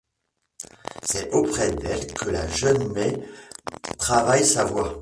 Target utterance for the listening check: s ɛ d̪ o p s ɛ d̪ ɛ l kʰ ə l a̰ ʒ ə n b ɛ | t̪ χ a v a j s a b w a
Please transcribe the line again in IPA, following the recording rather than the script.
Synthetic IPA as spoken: s ɛ o p χ ɛ d̪ ɛ l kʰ ə l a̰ ʒ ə n m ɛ | t̪ χ a v a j s a v w a